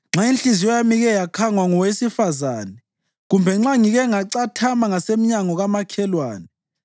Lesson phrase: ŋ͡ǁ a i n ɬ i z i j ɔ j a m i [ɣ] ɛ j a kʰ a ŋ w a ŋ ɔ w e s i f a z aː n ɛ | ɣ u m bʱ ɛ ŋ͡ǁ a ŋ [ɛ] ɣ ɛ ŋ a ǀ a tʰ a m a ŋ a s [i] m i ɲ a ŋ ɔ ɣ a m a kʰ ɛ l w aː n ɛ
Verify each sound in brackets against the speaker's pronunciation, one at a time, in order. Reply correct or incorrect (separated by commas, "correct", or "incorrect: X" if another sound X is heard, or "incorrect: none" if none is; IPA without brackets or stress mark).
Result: correct, incorrect: i, incorrect: e